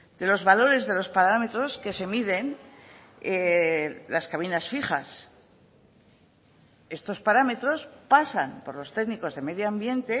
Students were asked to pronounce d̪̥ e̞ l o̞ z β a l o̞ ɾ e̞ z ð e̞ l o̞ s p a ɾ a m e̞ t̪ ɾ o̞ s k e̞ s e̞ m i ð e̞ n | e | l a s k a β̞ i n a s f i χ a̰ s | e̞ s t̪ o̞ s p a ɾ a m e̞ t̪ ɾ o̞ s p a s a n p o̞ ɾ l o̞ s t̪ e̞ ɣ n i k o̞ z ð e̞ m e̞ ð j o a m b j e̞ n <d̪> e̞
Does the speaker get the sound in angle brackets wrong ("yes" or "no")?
yes